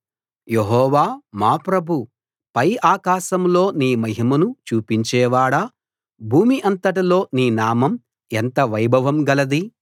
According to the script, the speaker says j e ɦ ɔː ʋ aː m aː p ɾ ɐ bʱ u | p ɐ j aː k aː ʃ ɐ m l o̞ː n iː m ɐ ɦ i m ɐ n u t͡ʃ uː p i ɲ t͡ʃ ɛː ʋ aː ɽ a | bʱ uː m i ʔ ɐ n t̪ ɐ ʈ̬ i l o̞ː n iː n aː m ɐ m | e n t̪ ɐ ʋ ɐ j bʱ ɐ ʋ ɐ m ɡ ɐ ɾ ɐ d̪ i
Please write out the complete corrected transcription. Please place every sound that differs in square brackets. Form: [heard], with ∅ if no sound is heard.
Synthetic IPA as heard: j e ɦ ɔː ʋ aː m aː p ɾ ɐ bʱ u | p ɐ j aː k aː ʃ ɐ m l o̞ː n iː m ɐ ɦ i m ɐ n u t͡ʃ uː p i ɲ t͡ʃ ɛː ʋ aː ɽ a | bʱ uː m i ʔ ɐ n t̪ ɐ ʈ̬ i l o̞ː n iː n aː m ɐ m | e n t̪ ɐ ʋ ɐ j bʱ ɐ ʋ ɐ m ɡ ɐ [l] ɐ d̪ i